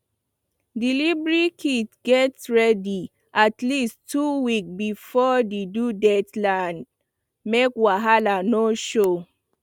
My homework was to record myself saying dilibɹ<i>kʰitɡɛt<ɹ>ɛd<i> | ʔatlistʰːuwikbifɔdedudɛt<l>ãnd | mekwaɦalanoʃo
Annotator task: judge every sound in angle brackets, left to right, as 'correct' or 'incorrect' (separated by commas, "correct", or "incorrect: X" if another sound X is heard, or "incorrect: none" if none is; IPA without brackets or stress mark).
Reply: correct, correct, correct, correct